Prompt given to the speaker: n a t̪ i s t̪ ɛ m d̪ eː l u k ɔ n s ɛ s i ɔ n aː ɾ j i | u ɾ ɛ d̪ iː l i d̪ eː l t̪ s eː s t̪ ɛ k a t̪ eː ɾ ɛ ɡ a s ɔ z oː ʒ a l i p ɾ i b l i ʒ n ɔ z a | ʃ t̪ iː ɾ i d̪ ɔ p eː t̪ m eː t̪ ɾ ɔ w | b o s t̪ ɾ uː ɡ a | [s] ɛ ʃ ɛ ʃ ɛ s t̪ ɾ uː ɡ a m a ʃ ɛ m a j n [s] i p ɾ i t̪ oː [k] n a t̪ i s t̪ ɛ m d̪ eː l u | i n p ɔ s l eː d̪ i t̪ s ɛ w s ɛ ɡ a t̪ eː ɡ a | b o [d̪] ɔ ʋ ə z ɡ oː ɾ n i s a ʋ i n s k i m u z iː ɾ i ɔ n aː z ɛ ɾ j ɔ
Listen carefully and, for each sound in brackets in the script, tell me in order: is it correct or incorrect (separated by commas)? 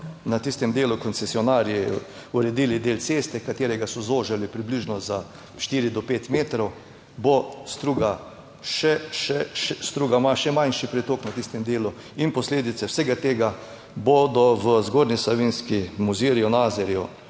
incorrect, incorrect, correct, correct